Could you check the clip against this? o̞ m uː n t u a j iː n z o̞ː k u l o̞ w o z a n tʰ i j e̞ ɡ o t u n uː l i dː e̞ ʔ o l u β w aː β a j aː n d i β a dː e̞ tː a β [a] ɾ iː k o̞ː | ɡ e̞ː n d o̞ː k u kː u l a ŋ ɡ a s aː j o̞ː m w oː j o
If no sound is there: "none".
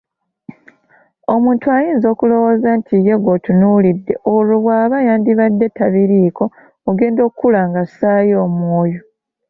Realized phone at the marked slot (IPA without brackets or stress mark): i